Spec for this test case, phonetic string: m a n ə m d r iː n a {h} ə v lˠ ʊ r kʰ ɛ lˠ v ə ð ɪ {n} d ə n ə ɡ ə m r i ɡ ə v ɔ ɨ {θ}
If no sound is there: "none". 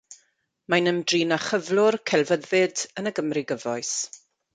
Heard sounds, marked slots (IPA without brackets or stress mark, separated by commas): χ, none, s